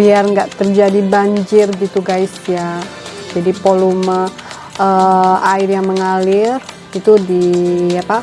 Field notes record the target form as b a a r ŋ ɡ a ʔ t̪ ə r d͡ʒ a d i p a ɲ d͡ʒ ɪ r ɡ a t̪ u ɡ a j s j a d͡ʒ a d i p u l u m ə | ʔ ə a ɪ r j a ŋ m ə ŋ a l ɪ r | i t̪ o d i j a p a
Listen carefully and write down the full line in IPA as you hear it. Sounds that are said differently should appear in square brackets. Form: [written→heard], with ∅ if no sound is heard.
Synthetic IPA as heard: b [a→i] a r ŋ ɡ a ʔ t̪ ə r d͡ʒ a d i [p→b] a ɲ d͡ʒ ɪ r ɡ [a→i] t̪ u ɡ a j s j a d͡ʒ a d i p [u→o] l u m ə | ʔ ə a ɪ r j a ŋ m ə ŋ a l ɪ r | i t̪ [o→u] d i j a p a

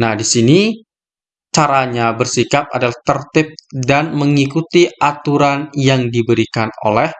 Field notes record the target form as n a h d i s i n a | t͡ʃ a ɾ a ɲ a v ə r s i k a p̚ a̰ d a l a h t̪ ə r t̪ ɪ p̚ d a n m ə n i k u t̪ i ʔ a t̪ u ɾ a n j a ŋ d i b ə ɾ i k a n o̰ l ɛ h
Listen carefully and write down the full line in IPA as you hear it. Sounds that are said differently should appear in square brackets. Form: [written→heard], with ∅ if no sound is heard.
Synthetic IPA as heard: n a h d i s i n [a→i] | t͡ʃ a ɾ a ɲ a [v→b] ə r s i k a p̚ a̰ d a l a h t̪ ə r t̪ ɪ p̚ d a n m ə [n→ŋ] i k u t̪ i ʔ a t̪ u ɾ a n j a ŋ d i b ə ɾ i k a n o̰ l ɛ h

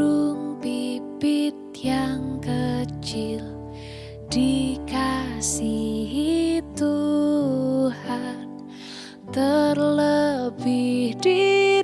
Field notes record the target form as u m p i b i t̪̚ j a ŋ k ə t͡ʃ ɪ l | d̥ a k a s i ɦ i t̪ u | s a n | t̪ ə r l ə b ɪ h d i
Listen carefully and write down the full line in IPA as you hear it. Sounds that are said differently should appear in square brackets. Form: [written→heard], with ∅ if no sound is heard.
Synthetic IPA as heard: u [m→ŋ] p i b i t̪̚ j a ŋ k ə t͡ʃ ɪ l | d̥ [a→i] k a s i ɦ i t̪ u | [s→h] a n | t̪ ə r l ə b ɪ h d i

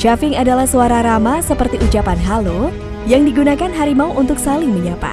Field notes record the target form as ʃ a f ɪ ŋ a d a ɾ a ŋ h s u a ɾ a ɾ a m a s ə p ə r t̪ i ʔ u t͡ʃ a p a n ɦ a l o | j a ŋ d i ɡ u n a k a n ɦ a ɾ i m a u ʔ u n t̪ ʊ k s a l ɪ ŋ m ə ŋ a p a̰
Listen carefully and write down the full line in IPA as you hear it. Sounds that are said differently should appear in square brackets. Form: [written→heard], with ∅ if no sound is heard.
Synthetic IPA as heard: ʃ a f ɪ ŋ a d a [ɾ→l] a [ŋ→∅] h s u a ɾ a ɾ a m a s ə p ə r t̪ i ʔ u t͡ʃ a p a n ɦ a l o | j a ŋ d i ɡ u n a k a n ɦ a ɾ i m a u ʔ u n t̪ ʊ k s a l ɪ ŋ m ə [ŋ→ɲ] a p a̰

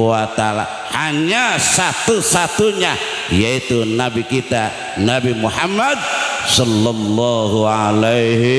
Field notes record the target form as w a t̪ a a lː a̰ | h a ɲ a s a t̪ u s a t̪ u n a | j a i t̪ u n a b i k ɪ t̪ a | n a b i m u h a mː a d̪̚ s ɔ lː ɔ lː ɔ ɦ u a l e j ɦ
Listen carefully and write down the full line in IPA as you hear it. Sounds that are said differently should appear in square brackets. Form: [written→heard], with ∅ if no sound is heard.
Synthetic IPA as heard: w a t̪ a a [lː→l] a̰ | h a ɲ a s a t̪ u s a t̪ u [n→ɲ] a | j a i t̪ u n a b i k [ɪ→i] t̪ a | n a b i m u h a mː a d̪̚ s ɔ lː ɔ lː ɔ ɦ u a l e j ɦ

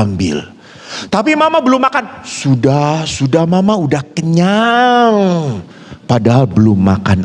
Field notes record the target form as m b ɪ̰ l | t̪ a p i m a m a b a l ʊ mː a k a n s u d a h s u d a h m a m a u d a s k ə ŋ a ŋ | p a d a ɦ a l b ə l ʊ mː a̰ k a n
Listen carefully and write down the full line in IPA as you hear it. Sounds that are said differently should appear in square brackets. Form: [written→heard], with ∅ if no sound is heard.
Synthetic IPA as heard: m b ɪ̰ l | t̪ a p i m a m a b [a→ə] l ʊ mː a k a n s u d a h s u d a h m a m a u d a [s→h] k ə [ŋ→ɲ] a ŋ | p a d a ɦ a l b ə l ʊ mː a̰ k a n

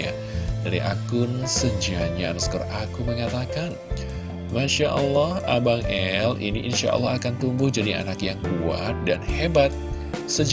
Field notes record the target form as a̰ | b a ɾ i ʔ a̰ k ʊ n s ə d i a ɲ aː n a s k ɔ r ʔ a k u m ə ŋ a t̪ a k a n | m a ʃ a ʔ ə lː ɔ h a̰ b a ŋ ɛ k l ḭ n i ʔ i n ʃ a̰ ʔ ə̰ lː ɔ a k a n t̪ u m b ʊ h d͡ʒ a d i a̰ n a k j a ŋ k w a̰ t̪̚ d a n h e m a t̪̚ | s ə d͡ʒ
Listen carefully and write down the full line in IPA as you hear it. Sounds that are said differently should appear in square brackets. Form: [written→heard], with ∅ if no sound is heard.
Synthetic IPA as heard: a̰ | [b→d] a ɾ i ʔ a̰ k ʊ n s ə [d→d͡ʒ] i a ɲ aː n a s k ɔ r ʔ a k u m ə ŋ a t̪ a k a n | m a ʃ a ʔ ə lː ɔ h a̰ b a ŋ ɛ [k→∅] l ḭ n i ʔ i n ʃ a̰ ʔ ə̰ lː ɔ a k a n t̪ u m b ʊ h d͡ʒ a d i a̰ n a k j a ŋ k [w→u] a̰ t̪̚ d a n h e [m→b] a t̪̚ | s ə d͡ʒ

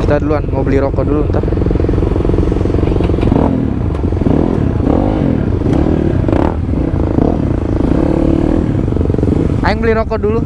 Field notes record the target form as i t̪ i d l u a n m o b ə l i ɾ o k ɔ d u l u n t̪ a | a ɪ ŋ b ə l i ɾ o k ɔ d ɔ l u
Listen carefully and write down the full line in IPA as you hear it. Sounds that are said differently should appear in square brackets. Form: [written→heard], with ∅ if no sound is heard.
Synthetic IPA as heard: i t̪ [i→a] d l u a n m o b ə l i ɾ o k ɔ d u l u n t̪ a | a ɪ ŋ b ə l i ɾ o k ɔ d [ɔ→u] l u

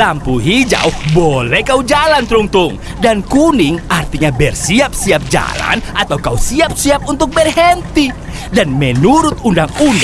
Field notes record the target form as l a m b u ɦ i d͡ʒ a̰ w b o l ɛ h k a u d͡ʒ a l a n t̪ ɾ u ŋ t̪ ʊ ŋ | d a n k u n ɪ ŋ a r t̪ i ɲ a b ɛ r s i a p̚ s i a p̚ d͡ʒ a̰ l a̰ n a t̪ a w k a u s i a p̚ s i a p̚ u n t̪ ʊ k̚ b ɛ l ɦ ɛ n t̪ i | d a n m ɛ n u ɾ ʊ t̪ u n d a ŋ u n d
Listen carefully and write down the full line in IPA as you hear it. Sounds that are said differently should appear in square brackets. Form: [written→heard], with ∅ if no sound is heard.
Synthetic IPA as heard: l a m [b→p] u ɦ i d͡ʒ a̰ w b o l ɛ h k a u d͡ʒ a l a n t̪ ɾ u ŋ t̪ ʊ ŋ | d a n k u n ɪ ŋ a r t̪ i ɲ a b ɛ r s i a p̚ s i a p̚ d͡ʒ a̰ l a̰ n a t̪ a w k a u s i a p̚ s i a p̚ u n t̪ ʊ k̚ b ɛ [l→r] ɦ ɛ n t̪ i | d a n m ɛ n u ɾ ʊ t̪ u n d a ŋ u n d

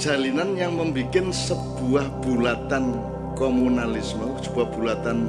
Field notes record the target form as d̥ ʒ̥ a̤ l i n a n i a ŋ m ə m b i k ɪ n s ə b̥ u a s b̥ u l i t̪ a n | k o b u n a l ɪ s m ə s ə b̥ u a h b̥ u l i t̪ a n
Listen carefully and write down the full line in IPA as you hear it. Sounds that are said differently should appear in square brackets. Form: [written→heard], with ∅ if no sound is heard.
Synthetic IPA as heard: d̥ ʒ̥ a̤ l i n a n [i→j] a ŋ m ə m b i k ɪ n s ə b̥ u a [s→h] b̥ u l [i→a] t̪ a n | k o [b→m] u n a l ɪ s m ə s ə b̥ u a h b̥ u l [i→a] t̪ a n

